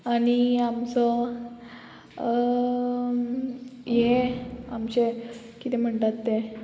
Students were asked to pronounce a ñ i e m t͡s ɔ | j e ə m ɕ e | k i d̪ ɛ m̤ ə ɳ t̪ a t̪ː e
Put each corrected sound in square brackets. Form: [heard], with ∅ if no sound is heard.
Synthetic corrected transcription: a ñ i [a] m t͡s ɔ | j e [a] m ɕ e | k i [t̪] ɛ m̤ ə ɳ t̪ a t̪ː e

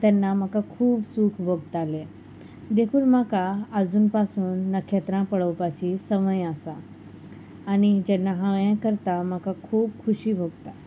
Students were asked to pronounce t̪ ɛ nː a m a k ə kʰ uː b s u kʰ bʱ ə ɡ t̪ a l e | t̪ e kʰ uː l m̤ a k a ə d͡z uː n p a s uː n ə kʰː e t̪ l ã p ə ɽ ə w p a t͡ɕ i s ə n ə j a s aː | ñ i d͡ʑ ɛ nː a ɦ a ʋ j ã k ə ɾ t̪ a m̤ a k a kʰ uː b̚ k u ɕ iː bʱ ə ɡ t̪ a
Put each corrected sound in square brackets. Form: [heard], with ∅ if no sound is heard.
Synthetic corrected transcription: t̪ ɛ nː a m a k [a] kʰ uː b s u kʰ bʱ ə ɡ t̪ a l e | [d̪] e kʰ uː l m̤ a k a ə d͡z uː n p a s uː [nː] ə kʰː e t̪ [ɾ] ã p ə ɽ ə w p a t͡ɕ i s ə [m] ə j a s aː | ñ i d͡ʑ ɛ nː a ɦ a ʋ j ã k ə ɾ t̪ a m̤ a k a kʰ uː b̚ [kʰ] u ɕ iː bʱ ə ɡ t̪ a

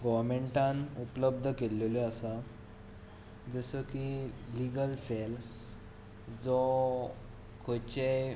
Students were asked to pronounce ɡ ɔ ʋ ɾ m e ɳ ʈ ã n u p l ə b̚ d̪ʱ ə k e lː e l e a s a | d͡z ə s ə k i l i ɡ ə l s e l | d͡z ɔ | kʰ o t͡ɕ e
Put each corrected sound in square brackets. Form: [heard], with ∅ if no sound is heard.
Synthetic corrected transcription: ɡ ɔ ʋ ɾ m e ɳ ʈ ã n u p l ə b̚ d̪ʱ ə k e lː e l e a s a | d͡z ə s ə k i l i ɡ ə l s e l | d͡z ɔ | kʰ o t͡ɕ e

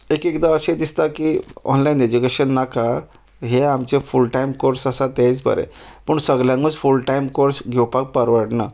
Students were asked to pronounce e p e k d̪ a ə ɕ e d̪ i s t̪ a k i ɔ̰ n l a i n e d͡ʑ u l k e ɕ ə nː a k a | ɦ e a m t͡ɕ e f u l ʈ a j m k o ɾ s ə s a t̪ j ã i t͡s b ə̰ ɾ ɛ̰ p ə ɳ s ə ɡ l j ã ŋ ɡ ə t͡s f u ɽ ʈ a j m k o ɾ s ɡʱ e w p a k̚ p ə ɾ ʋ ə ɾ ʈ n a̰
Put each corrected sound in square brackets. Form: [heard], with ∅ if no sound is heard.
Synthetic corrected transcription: e [k] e k d̪ a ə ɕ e d̪ i s t̪ a k i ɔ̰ n l a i n e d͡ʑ u [∅] k e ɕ ə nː a k a | ɦ e a m t͡ɕ e f u l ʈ a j m k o ɾ s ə s a t̪ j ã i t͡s b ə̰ ɾ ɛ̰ p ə ɳ s ə ɡ l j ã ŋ ɡ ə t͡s f u [l] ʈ a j m k o ɾ s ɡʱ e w p a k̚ p ə ɾ ʋ ə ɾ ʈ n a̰

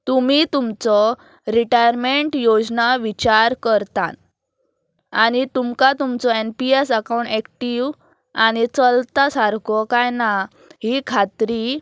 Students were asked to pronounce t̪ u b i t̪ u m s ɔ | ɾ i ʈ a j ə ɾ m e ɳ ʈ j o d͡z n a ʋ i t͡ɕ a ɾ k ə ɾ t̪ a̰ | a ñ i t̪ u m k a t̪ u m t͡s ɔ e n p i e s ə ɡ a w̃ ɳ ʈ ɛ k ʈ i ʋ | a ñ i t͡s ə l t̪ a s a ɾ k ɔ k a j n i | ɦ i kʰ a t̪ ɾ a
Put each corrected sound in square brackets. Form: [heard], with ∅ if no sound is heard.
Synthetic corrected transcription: t̪ u [m] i t̪ u m [t͡s] ɔ | ɾ i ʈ a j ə ɾ m e ɳ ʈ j o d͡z n a ʋ i t͡ɕ a ɾ k ə ɾ t̪ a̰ | a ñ i t̪ u m k a t̪ u m t͡s ɔ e n p i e s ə [k] a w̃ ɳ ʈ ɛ k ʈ i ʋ | a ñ i t͡s ə l t̪ a s a ɾ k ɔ k a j n [a] | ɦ i kʰ a t̪ ɾ [i]

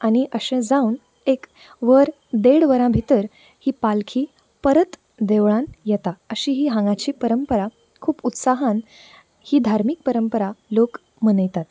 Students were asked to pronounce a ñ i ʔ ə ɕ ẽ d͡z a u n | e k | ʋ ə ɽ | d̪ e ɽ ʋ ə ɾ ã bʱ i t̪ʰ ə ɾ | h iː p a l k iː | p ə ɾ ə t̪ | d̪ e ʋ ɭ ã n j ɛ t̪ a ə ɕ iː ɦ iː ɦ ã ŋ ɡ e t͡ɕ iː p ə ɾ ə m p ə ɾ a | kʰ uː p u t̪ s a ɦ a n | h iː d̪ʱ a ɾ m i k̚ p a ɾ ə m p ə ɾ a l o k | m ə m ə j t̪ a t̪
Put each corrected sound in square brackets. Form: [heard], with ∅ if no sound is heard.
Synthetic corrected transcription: a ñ i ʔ ə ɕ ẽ d͡z a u n | e k | ʋ ə [ɾ] | d̪ e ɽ ʋ ə ɾ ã bʱ i [t̪] ə ɾ | h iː p a l [kʰ] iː | p ə ɾ ə t̪ | d̪ e ʋ ɭ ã n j ɛ t̪ a ə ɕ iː ɦ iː ɦ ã ŋ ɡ [a] t͡ɕ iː p ə ɾ ə m p ə ɾ a | kʰ uː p u t̪ s a ɦ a n | h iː d̪ʱ a ɾ m i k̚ p [ə] ɾ ə m p ə ɾ a l o k | m ə [n] ə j t̪ a t̪

